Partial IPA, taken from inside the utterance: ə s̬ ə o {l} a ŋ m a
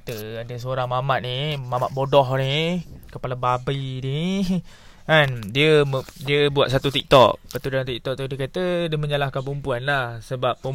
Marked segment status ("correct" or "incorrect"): incorrect